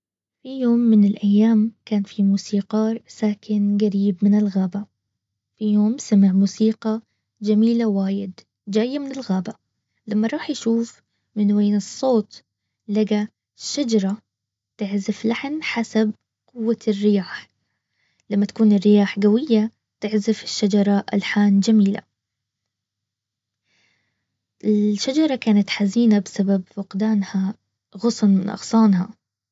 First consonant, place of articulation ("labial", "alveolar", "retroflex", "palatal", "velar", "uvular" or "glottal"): labial